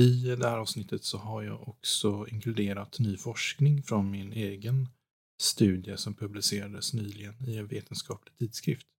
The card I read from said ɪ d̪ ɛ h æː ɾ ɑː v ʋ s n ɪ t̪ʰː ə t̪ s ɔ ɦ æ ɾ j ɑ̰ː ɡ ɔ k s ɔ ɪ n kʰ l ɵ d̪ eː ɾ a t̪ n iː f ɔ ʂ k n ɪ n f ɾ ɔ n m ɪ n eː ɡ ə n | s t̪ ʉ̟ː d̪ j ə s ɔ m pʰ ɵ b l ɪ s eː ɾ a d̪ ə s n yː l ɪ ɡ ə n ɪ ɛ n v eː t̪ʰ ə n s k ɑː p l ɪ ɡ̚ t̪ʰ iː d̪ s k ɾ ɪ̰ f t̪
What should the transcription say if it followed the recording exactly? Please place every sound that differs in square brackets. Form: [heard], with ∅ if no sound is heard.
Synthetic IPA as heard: ɪ d̪ ɛ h æː ɾ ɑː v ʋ s n ɪ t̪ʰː ə t̪ s ɔ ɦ [a] ɾ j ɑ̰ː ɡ ɔ k s ɔ ɪ [ŋ] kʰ l ɵ d̪ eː ɾ a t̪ n [yː] f ɔ ʂ k n ɪ [ŋ] f ɾ ɔ n m ɪ n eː ɡ ə n | s t̪ ʉ̟ː d̪ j ə s ɔ m pʰ ɵ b l ɪ s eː ɾ a d̪ ə s n yː l ɪ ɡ ə n ɪ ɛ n v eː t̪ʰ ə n s k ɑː p l ɪ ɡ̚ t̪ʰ iː d̪ s k ɾ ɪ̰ f t̪